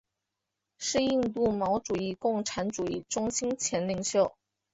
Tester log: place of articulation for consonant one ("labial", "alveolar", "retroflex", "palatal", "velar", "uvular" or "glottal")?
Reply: retroflex